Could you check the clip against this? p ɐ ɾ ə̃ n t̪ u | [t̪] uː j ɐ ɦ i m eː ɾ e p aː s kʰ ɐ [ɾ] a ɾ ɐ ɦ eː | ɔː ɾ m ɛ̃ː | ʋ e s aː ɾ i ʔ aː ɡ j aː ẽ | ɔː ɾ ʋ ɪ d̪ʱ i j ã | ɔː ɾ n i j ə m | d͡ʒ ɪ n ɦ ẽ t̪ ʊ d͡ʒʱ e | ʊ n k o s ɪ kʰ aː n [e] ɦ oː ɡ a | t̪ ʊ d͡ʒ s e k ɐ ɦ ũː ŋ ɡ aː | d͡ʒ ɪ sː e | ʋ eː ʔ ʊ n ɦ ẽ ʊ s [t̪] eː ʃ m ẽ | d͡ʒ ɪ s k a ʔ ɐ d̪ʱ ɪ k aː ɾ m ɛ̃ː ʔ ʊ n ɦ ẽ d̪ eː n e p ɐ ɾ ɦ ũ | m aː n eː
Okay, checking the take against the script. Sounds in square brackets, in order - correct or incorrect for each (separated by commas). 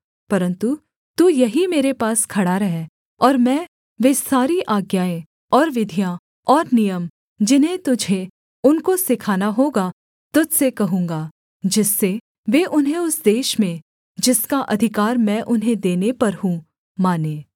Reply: correct, incorrect, incorrect, incorrect